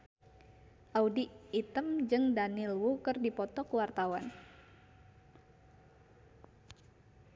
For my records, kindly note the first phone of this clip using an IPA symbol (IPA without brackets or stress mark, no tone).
ʔ